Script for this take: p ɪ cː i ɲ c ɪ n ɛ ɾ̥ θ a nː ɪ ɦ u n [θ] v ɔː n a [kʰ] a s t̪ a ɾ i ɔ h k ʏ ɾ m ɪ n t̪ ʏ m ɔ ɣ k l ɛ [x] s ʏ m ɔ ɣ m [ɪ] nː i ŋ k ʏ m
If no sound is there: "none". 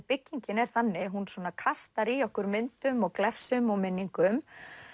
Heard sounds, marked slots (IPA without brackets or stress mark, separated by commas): s, kʰ, f, ɪ